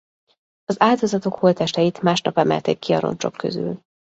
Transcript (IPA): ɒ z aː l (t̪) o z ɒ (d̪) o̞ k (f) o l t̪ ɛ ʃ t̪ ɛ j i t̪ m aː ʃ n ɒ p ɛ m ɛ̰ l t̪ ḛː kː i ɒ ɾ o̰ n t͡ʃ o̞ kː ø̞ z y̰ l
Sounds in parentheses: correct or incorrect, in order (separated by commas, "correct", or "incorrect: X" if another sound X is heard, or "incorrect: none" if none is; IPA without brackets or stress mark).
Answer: incorrect: d̪, incorrect: t̪, incorrect: h